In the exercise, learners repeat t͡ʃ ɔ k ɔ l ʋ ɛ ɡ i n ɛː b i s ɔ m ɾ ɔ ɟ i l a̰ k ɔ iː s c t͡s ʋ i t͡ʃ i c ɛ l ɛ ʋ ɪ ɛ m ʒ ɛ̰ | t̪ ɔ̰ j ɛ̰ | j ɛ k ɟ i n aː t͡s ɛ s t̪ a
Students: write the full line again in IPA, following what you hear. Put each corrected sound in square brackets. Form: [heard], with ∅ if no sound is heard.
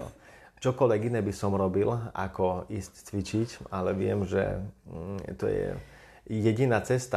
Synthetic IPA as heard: t͡ʃ ɔ k ɔ l ʋ ɛ ɡ i n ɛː b i s ɔ m ɾ ɔ [b] i l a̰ k ɔ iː s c t͡s ʋ i t͡ʃ i c [a] l ɛ ʋ ɪ ɛ m ʒ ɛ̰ | t̪ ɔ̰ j ɛ̰ | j ɛ [∅] ɟ i n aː t͡s ɛ s t̪ a